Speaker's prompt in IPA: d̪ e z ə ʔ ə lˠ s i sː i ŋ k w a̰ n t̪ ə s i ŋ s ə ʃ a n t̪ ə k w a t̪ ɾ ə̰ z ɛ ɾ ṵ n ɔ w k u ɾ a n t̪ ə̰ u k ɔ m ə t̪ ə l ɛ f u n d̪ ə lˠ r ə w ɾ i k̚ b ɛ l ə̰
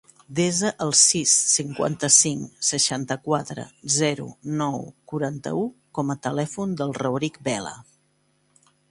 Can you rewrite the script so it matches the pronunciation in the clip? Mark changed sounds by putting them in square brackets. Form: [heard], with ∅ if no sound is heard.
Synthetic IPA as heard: d̪ e z ə ʔ ə lˠ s i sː i ŋ k w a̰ n t̪ ə s i ŋ s ə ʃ a n t̪ ə k w a t̪ ɾ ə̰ z ɛ ɾ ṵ n ɔ w k u ɾ a n t̪ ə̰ u k ɔ m ə t̪ ə l ɛ f u n d̪ ə lˠ r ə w ɾ i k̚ b ɛ l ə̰